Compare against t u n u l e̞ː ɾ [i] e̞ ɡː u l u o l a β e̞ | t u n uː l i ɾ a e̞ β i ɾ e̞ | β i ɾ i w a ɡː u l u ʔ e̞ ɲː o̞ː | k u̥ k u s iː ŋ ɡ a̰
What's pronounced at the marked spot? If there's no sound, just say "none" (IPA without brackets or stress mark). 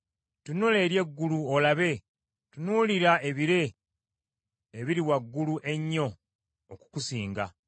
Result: j